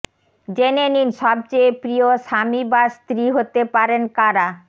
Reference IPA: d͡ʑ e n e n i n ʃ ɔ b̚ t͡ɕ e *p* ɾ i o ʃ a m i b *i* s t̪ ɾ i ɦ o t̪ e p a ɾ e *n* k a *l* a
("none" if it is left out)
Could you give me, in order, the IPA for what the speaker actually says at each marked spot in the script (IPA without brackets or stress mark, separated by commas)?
p, a, n, ɾ